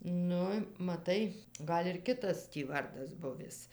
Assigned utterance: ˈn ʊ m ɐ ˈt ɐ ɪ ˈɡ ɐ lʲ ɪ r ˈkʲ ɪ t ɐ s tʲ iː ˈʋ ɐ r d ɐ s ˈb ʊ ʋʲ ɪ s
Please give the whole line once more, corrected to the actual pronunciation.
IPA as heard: ˈn ʊ m ɐ ˈt ɐ ɪ ˈɡ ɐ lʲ ɪ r ˈkʲ ɪ t ɐ s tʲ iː ˈʋ ɐ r d ɐ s ˈb ʊ ʋʲ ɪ s